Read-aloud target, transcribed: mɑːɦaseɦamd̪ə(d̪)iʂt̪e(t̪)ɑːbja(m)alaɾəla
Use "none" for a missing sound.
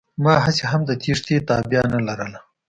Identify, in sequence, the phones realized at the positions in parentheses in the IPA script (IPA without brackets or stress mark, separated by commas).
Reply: t̪, t̪, n